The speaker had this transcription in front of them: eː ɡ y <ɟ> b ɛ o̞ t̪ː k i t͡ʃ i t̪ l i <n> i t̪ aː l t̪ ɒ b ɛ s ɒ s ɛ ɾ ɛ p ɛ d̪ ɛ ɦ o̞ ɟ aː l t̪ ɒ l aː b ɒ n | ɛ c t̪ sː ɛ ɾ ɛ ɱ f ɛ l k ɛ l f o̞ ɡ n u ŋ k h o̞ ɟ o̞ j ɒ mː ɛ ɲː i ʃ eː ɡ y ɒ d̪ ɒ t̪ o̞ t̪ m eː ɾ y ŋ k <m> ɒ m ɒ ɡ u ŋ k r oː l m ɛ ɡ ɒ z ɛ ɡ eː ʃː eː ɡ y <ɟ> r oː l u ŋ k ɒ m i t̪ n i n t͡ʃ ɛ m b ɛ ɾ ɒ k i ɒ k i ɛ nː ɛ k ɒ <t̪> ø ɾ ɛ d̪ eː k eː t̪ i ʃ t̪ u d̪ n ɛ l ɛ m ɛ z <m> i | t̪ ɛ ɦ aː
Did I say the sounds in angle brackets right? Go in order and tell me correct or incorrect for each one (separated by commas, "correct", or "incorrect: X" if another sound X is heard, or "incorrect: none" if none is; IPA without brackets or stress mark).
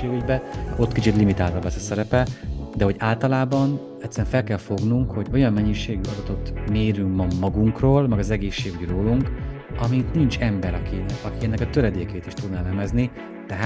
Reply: correct, incorrect: m, correct, correct, correct, incorrect: n